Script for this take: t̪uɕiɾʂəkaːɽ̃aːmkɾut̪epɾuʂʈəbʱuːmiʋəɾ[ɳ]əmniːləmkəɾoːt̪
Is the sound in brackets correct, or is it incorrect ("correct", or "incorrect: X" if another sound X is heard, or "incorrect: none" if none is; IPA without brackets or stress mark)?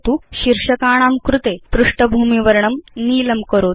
correct